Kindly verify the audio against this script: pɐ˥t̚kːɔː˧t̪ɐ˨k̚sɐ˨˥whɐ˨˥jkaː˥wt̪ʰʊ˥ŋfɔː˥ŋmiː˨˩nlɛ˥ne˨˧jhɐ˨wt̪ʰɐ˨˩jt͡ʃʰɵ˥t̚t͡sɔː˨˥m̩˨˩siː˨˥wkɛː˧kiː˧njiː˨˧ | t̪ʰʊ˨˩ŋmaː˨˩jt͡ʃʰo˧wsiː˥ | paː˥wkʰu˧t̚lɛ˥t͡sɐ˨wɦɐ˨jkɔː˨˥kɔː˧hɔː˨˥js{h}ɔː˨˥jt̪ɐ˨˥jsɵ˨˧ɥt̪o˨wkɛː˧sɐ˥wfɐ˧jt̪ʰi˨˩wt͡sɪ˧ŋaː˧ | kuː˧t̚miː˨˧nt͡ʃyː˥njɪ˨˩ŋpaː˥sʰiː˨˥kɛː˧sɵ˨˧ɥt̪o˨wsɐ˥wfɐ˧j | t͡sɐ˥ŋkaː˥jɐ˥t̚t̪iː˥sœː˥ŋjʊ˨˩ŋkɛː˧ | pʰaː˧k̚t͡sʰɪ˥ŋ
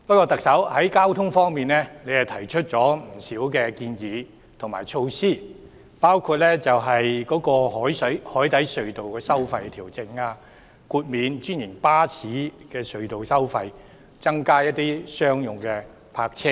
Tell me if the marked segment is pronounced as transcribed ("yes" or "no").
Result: yes